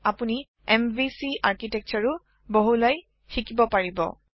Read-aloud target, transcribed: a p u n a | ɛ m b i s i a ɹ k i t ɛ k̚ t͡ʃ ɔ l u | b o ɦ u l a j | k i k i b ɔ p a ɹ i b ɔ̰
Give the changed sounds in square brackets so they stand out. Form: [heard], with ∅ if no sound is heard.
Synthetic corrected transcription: a p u n [i] | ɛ m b i s i a ɹ k i t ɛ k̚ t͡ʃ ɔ [ɹ] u | b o ɦ u l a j | [x] i k i b ɔ p a ɹ i b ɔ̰

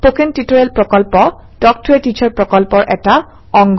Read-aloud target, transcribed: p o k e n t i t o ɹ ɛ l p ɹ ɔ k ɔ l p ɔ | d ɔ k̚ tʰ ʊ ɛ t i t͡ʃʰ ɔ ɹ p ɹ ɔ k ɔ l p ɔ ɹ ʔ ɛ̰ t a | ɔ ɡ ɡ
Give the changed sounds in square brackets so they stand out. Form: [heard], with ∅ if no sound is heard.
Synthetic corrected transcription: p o k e n t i t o ɹ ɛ l p ɹ ɔ k ɔ l p ɔ | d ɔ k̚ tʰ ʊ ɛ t i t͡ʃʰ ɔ ɹ p ɹ ɔ k ɔ l p ɔ ɹ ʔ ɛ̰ t a | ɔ [ŋ] ɡ

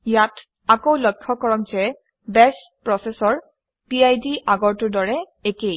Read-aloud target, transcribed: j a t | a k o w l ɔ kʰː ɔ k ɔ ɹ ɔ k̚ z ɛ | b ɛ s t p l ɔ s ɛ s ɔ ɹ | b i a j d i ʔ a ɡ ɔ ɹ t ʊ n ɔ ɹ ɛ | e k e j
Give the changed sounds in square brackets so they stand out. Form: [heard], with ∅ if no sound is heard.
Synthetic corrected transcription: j a t | a k o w l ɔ kʰː ɔ k ɔ ɹ ɔ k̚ z ɛ | b ɛ s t p [ɹ] ɔ s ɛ s ɔ ɹ | [p] i a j d i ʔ a ɡ ɔ ɹ t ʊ [d] ɔ ɹ ɛ | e k e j

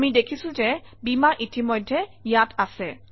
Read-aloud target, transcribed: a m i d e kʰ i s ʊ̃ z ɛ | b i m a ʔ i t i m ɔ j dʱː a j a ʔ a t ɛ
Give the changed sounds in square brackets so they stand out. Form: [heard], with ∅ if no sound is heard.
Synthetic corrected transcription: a m i d e kʰ i s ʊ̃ z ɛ | b i m a ʔ i t i m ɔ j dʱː [ɛ] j a [t] a [s] ɛ

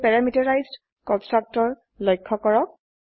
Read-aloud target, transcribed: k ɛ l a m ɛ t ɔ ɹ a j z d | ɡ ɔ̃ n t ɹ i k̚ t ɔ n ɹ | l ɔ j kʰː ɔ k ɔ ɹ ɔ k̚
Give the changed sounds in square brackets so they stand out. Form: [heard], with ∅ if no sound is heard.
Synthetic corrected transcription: [p] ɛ [ɹ] a m [i] t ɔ ɹ a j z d | [k] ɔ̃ n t ɹ [a] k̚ t ɔ [∅] ɹ | l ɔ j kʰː ɔ k ɔ ɹ ɔ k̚

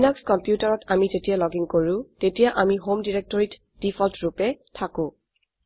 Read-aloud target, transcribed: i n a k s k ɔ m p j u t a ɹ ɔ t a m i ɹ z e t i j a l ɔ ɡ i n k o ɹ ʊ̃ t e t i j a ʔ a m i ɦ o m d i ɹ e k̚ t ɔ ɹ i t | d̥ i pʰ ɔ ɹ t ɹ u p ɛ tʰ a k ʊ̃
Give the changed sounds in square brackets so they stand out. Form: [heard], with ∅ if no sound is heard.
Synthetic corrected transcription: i n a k s k ɔ m p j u t a ɹ ɔ t a m i [∅] z e t i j a l ɔ ɡ i [ŋ] k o ɹ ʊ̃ t e t i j a ʔ a m i ɦ o m d i ɹ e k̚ t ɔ ɹ i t | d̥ i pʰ ɔ [l] t ɹ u p ɛ tʰ a k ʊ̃

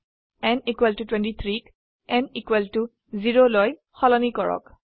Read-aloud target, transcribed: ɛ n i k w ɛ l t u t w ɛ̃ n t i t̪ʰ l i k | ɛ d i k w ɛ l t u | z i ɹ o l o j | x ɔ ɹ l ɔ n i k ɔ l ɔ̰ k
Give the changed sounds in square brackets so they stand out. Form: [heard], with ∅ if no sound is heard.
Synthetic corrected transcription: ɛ n i k w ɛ l t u t w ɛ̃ n t i t̪ʰ [ɹ] i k | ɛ [n] i k w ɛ l t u | z i ɹ o l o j | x ɔ [∅] l ɔ n i k ɔ [ɹ] ɔ̰ k

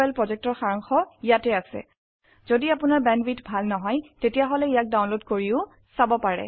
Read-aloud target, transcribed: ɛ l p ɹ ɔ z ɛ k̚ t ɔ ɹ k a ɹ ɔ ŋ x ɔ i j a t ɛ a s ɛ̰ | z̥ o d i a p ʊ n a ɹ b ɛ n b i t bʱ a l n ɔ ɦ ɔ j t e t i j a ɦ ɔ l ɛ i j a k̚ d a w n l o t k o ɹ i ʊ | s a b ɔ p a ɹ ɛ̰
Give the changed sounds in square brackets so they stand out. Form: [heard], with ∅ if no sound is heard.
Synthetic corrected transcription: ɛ l p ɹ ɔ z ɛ k̚ t ɔ ɹ [x] a ɹ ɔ ŋ x ɔ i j a t ɛ a s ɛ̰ | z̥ o d i a p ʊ n a ɹ b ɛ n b i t bʱ a l n ɔ ɦ ɔ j t e t i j a ɦ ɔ l ɛ i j a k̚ d a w n l o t k o ɹ i ʊ | s a b ɔ p a ɹ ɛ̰

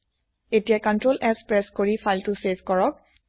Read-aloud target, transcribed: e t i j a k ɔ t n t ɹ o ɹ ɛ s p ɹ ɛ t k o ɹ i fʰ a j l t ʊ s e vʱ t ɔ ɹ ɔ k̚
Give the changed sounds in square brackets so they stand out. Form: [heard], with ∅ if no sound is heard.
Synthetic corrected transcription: e t i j a k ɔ [∅] n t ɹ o [l] ɛ s p ɹ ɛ [s] k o ɹ i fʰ a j l t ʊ s e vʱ [k] ɔ ɹ ɔ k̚

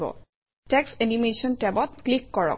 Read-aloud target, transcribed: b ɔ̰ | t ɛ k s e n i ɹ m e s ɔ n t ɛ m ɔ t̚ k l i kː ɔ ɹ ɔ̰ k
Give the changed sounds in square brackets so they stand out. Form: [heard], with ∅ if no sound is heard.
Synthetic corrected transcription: b ɔ̰ | t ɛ k s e n i [∅] m e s ɔ n t ɛ [b] ɔ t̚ k l i kː ɔ ɹ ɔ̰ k

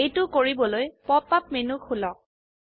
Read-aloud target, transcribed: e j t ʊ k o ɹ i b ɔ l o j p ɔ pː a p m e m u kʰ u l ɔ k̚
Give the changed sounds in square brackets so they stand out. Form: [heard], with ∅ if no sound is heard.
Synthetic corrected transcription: e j t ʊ k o ɹ i b ɔ l o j p ɔ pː a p m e [n] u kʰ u l ɔ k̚

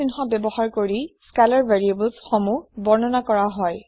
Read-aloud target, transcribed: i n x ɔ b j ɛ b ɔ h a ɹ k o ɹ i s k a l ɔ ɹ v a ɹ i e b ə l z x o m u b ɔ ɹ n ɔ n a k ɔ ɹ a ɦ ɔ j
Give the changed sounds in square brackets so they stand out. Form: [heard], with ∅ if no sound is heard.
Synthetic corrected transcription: i n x ɔ b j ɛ b ɔ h a ɹ k o ɹ i s k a l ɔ ɹ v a ɹ i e b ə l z x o m u b ɔ ɹ n ɔ n a k ɔ ɹ a ɦ ɔ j

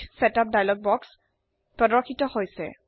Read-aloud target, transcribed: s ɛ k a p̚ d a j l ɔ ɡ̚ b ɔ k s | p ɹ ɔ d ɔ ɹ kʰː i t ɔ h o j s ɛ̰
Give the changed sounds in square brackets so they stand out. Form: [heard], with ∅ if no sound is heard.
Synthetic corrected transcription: s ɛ [t] a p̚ d a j l ɔ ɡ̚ b ɔ k s | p ɹ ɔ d ɔ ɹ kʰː i t ɔ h o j s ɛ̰

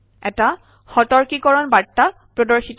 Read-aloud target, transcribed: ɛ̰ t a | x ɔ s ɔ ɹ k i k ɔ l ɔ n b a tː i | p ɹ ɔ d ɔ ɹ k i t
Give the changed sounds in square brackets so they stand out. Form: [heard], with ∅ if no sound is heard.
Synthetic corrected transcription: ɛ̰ t a | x ɔ [t] ɔ ɹ k i k ɔ [ɹ] ɔ n b a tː [a] | p ɹ ɔ d ɔ ɹ [x] i t

